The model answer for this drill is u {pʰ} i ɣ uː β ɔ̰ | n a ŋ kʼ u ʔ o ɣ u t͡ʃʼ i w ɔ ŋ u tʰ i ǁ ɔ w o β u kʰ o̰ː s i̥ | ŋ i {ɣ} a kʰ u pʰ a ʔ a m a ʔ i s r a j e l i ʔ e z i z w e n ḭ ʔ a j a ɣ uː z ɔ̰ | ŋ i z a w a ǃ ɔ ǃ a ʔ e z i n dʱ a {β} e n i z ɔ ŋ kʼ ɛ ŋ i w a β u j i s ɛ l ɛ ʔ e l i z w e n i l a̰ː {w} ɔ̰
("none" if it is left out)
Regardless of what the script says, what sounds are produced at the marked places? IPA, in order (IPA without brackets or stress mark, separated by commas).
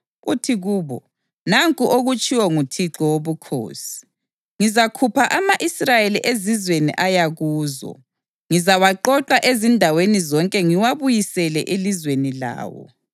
tʰ, z, w, w